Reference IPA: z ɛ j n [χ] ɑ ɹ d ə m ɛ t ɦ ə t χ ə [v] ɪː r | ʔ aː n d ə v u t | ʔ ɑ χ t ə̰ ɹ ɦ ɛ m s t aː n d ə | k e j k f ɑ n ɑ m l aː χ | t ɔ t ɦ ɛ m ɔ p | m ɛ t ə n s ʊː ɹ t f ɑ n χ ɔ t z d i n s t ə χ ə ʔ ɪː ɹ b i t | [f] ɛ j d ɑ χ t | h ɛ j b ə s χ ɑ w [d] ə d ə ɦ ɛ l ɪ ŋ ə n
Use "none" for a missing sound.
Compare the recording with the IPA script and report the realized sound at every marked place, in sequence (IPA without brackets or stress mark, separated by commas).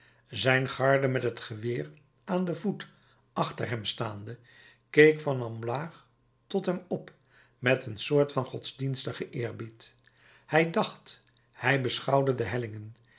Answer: χ, ʋ, h, d